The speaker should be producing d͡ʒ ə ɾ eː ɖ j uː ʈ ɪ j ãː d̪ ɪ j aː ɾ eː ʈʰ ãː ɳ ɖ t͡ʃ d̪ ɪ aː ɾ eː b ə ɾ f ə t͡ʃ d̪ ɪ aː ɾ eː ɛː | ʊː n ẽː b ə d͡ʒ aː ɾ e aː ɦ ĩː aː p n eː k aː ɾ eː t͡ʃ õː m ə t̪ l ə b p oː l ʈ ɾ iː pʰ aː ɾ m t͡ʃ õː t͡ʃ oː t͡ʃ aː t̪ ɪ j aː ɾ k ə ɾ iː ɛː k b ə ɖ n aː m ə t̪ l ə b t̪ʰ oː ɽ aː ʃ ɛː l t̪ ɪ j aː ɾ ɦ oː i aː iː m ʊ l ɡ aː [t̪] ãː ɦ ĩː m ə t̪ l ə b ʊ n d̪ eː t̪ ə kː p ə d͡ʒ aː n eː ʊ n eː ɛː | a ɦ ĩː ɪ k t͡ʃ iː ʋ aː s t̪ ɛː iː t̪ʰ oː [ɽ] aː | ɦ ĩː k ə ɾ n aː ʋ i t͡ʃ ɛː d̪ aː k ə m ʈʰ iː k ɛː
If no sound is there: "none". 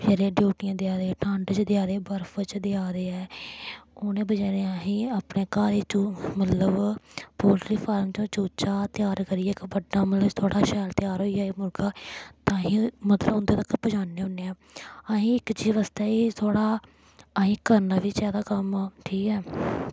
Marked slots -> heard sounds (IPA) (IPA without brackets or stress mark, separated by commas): t̪, ɽ